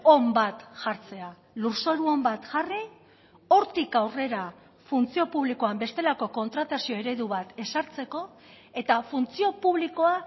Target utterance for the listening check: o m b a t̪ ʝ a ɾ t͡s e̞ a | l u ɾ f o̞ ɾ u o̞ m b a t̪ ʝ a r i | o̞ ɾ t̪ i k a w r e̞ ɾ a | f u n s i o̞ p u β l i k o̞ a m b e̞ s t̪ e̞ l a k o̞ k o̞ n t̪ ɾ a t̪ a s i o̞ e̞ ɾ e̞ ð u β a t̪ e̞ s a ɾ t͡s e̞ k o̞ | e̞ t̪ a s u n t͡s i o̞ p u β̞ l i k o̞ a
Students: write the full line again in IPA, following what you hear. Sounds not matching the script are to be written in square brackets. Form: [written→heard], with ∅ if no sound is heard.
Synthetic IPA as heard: o m b a t̪ ʝ a ɾ t͡s e̞ a | l u ɾ [f→s] o̞ ɾ u o̞ m b a t̪ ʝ a r i | o̞ ɾ t̪ i k a w r e̞ ɾ a | f u n [s→t͡s] i o̞ p u β l i k o̞ a m b e̞ s t̪ e̞ l a k o̞ k o̞ n t̪ ɾ a t̪ a s i o̞ e̞ ɾ e̞ ð u β a t̪ e̞ s a ɾ t͡s e̞ k o̞ | e̞ t̪ a [s→f] u n t͡s i o̞ p u β̞ l i k o̞ a